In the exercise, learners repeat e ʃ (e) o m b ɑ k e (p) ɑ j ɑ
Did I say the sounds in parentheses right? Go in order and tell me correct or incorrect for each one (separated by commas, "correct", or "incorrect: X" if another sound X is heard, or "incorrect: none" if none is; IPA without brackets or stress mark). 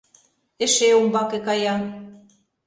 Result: correct, incorrect: k